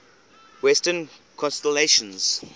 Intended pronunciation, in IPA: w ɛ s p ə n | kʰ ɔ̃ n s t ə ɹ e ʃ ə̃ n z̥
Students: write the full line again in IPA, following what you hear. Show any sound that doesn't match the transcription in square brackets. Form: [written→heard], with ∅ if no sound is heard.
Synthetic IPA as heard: w ɛ s [p→t] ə n | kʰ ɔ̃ n s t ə [ɹ→l] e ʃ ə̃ n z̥

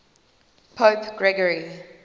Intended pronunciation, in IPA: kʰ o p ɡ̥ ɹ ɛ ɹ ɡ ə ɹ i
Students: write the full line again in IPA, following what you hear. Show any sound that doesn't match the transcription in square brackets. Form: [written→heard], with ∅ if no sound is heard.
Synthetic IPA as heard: [kʰ→pʰ] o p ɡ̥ ɹ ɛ [ɹ→∅] ɡ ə ɹ i

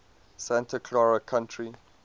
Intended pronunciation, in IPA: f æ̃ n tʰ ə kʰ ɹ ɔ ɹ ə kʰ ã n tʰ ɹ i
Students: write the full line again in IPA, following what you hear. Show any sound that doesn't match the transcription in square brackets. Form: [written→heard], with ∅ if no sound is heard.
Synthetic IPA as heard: [f→s] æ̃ n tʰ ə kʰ [ɹ→l] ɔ ɹ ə kʰ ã n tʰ ɹ i

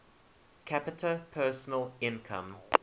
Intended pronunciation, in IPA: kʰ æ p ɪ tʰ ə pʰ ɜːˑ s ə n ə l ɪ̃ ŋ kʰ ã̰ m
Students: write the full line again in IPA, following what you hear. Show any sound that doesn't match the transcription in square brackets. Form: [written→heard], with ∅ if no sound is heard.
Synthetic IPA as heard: kʰ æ p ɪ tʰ ə pʰ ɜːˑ s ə n ə l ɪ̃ [ŋ→n] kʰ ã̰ m

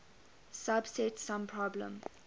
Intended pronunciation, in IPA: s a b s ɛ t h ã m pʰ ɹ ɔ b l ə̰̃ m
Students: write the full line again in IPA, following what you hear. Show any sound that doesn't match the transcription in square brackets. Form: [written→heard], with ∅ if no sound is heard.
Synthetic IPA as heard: s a b s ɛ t [h→s] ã m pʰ ɹ ɔ b l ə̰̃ m

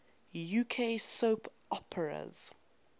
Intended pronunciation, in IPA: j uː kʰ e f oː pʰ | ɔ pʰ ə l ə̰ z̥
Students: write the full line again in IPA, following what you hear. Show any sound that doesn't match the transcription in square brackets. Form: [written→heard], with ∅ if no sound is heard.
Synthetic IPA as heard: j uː kʰ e [f→s] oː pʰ | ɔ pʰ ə [l→ɹ] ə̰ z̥

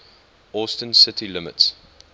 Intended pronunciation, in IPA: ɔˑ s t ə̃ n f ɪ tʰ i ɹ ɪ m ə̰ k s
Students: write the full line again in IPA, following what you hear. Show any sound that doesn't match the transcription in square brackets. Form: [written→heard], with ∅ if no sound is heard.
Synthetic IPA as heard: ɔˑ s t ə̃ n [f→s] ɪ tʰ i [ɹ→l] ɪ m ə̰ [k→t] s

